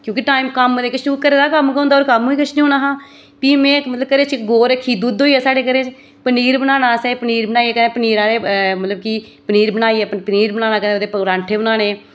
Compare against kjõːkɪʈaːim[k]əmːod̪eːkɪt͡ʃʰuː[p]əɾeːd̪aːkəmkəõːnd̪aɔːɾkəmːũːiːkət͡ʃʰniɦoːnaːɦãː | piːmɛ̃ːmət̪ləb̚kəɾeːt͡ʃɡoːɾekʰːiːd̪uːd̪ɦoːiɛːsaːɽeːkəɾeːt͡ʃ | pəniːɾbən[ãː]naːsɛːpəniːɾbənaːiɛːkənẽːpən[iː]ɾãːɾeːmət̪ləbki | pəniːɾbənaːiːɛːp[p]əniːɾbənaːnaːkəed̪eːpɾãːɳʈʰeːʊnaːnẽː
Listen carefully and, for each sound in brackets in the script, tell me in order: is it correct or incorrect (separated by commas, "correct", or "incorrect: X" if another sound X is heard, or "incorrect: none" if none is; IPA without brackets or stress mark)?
correct, incorrect: k, incorrect: aː, correct, correct